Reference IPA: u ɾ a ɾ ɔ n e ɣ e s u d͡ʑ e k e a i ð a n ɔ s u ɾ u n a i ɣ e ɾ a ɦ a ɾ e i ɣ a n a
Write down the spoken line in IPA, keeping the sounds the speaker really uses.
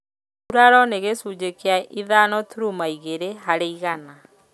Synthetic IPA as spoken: u ɾ a ɾ ɔ n e ɣ e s u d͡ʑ e k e a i ð a n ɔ t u ɾ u m a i ɣ e ɾ e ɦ a ɾ e i ɣ a n a